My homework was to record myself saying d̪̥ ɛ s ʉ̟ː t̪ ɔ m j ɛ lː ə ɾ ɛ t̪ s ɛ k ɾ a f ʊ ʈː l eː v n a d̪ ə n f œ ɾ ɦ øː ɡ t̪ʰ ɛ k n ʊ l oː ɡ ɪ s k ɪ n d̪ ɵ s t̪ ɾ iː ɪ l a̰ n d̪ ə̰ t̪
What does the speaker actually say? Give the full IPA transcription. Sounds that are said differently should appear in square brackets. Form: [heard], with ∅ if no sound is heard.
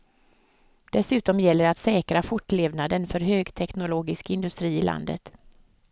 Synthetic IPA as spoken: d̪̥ ɛ s ʉ̟ː t̪ ɔ m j ɛ lː ə ɾ [a] t̪ s [ɛː] k ɾ a f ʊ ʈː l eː v n a d̪ ə n f œ ɾ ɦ øː ɡ t̪ʰ ɛ k n ʊ l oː ɡ ɪ s k ɪ n d̪ ɵ s t̪ ɾ iː ɪ l a̰ n d̪ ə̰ t̪